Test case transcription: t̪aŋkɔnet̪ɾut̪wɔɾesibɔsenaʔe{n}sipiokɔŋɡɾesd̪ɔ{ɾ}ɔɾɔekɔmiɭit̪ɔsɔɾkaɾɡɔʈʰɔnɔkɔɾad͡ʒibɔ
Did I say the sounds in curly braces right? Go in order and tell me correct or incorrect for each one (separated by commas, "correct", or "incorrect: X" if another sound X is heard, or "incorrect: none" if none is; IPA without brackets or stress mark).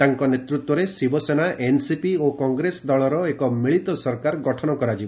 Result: correct, incorrect: ɭ